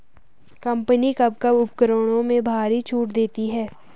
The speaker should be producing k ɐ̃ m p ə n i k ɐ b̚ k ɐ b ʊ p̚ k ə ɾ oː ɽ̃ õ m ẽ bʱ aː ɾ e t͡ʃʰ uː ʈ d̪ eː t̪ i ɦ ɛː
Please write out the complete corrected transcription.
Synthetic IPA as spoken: k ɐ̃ m p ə n i k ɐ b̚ k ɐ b ʊ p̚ k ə ɾ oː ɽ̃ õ m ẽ bʱ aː ɾ i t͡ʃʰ uː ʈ d̪ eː t̪ i ɦ ɛː